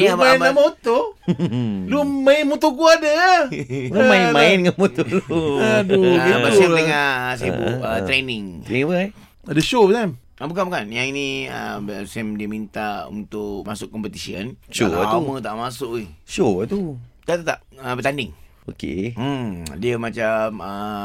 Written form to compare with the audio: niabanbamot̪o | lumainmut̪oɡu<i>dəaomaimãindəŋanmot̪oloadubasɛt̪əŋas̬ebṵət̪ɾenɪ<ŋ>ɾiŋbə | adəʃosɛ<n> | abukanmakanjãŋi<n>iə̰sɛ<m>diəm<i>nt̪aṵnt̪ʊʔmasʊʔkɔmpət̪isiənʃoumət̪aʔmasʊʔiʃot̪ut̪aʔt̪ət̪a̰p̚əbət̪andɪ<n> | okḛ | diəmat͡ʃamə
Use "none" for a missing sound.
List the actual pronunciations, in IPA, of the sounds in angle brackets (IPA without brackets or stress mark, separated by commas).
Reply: a, ŋ, m, n, m, i, ŋ